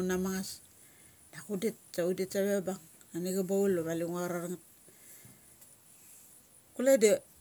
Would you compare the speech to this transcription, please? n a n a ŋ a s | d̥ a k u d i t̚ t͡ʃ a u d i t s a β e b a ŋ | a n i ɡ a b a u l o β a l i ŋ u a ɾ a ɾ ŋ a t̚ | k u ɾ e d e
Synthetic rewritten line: n a m a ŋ a s | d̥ a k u d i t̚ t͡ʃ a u d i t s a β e b a ŋ | a n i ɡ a b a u l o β a l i ŋ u a ɾ a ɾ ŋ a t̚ | k u l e d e

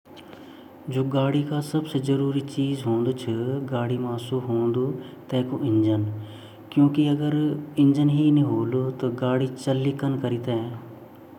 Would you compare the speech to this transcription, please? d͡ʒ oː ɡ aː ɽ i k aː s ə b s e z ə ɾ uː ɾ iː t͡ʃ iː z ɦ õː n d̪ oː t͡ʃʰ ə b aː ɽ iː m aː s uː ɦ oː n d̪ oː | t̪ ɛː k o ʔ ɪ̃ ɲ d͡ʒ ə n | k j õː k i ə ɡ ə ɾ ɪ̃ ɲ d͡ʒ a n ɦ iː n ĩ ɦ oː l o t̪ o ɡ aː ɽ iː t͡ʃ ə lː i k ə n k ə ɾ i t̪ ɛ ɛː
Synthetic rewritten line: d͡ʒ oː ɡ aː ɽ i k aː s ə b s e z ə ɾ uː ɾ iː t͡ʃ iː z ɦ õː n d̪ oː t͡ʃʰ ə ɡ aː ɽ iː m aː s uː ɦ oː n d̪ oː | t̪ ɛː k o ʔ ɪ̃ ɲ d͡ʒ ə n | k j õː k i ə ɡ ə ɾ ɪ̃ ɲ d͡ʒ ə n ɦ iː n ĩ ɦ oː l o t̪ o ɡ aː ɽ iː t͡ʃ ə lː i k ə n k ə ɾ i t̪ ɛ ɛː

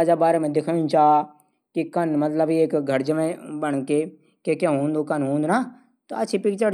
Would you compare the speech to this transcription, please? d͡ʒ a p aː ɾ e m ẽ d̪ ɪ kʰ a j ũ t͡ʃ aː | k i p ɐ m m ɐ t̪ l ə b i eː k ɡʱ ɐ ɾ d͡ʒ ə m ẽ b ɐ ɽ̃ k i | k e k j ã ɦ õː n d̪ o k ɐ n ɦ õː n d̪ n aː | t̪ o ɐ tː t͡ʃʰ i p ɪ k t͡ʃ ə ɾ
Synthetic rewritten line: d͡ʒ a b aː ɾ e m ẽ d̪ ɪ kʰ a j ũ t͡ʃ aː | k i k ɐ n m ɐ t̪ l ə b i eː k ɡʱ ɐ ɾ d͡ʒ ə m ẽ b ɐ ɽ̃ k e | k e k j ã ɦ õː n d̪ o k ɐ n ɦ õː n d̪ n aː | t̪ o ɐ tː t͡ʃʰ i p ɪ k t͡ʃ ə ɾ

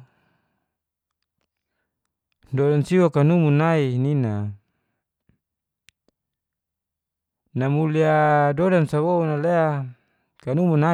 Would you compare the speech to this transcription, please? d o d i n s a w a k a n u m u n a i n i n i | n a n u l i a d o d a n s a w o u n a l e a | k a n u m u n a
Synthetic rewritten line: d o d a n s i w a k a n u m u n a i n i n a | n a m u l i a d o d a n s a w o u n a l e a | k a n u m u n a

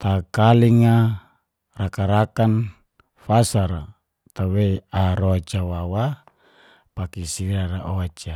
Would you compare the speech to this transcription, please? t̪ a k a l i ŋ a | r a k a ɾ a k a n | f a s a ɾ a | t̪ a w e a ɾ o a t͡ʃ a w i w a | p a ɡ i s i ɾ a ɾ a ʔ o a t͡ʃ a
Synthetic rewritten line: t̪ a k a l i ŋ a | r a k a ɾ a k a n | f a s a ɾ a | t̪ a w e a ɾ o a t͡ʃ a w a w a | p a k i s i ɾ a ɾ a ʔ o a t͡ʃ a

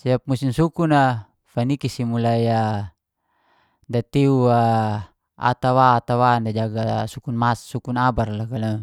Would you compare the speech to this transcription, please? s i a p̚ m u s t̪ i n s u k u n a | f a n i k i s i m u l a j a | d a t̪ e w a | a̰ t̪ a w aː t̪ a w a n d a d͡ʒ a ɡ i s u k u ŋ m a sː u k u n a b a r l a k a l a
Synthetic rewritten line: s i a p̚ m u s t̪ i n s u k u n a | f a n i k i s i m u l a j a | d a t̪ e u a | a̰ t̪ a w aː t̪ a w a n d a d͡ʒ a ɡ a s u k u n m a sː u k u n a b a r l a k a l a

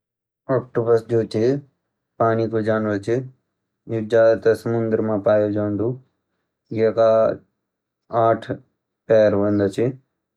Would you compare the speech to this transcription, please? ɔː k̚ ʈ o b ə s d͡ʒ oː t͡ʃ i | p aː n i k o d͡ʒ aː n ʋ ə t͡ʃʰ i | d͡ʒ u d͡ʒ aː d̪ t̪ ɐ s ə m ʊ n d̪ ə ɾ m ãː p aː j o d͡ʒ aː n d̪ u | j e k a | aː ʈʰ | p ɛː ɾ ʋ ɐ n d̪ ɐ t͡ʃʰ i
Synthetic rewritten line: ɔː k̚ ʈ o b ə s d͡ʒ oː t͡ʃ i | p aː n i k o d͡ʒ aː n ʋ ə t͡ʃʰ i | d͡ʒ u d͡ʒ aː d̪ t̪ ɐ s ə m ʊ n d̪ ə ɾ m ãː p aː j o d͡ʒ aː n d̪ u | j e k a | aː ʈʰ | p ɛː ɾ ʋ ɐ n d̪ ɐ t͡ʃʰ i

